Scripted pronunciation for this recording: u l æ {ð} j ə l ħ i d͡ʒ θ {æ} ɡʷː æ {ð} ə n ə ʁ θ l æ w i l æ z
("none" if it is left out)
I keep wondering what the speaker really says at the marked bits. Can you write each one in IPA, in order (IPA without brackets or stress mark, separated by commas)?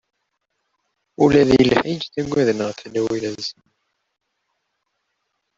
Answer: ð, æ, ð